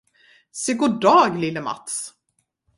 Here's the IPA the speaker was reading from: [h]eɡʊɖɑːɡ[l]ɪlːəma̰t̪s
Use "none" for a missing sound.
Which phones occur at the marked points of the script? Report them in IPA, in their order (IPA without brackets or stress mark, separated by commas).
s, l